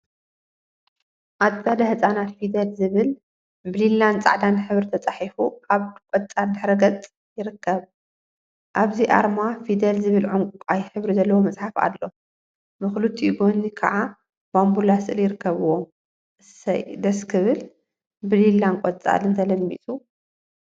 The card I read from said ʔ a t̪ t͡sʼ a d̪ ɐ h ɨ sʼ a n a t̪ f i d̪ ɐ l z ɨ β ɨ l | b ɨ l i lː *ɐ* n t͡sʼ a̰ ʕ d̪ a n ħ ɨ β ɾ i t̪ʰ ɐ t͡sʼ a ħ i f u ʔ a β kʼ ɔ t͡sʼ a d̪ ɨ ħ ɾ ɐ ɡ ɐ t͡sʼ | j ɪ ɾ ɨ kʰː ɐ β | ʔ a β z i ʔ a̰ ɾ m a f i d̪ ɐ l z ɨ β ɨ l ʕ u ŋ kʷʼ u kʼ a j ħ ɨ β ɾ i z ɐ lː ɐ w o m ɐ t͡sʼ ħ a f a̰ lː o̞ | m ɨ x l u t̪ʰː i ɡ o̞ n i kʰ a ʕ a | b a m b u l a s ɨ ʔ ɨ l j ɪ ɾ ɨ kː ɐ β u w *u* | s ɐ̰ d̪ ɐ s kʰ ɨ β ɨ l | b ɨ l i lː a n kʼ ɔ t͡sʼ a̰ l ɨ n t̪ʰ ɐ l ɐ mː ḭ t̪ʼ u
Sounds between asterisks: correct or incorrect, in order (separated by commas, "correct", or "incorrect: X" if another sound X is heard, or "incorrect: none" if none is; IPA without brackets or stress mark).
incorrect: a, incorrect: o